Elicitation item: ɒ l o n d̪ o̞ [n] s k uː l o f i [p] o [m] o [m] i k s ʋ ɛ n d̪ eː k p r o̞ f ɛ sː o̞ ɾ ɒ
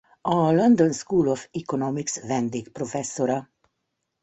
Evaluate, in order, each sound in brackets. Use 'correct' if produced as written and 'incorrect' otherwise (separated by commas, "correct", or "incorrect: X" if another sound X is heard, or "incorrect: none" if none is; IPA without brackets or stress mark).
correct, incorrect: k, incorrect: n, correct